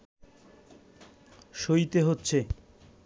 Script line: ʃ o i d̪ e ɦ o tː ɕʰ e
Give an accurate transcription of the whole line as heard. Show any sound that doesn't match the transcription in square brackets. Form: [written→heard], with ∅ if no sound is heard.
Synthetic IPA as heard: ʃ o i [d̪→t̪] e ɦ o tː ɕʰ e